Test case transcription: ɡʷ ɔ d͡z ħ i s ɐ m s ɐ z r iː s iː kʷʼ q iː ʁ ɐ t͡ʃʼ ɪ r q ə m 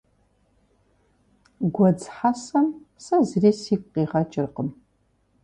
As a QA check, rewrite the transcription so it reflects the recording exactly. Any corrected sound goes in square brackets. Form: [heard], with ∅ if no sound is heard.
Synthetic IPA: ɡʷ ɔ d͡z ħ [a] s ɐ m s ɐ z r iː s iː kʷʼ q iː ʁ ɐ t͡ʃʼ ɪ r q ə m